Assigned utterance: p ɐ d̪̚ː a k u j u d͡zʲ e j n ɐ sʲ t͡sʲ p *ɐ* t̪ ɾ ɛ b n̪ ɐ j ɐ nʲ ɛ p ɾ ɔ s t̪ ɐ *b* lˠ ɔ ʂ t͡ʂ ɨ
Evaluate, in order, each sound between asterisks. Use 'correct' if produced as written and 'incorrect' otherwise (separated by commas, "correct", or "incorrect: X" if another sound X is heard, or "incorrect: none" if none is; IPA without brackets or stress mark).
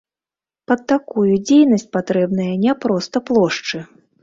incorrect: a, incorrect: p